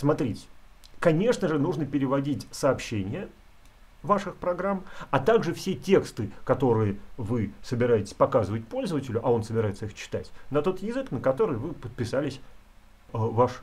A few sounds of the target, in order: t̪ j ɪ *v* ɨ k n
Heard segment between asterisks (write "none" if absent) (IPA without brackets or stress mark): z